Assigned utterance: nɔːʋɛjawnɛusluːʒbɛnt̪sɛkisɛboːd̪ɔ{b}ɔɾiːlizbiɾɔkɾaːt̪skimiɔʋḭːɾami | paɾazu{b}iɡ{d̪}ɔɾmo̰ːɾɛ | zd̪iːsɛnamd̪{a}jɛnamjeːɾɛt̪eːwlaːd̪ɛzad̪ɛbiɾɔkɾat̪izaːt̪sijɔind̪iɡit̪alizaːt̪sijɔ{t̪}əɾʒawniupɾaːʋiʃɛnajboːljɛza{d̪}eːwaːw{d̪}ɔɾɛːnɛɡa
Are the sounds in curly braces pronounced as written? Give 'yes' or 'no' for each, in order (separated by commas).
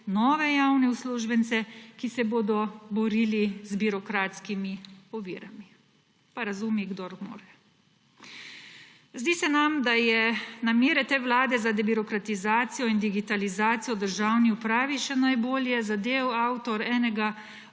yes, no, yes, yes, no, yes, no